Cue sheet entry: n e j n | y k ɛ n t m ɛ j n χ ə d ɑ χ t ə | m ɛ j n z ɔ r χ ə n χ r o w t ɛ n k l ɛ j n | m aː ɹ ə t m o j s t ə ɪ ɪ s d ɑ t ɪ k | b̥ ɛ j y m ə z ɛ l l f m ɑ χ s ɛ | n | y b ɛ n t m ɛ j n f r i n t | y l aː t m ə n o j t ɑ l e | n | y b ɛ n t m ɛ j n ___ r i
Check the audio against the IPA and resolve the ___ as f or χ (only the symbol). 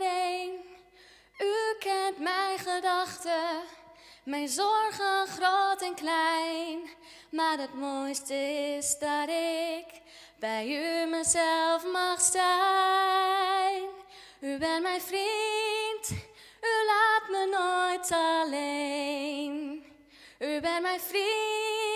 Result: f